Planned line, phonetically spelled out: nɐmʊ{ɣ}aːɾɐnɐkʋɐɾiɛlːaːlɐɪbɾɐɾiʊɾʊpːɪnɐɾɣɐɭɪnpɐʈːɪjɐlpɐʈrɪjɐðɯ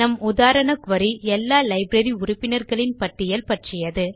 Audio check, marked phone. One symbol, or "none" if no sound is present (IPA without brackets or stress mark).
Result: ð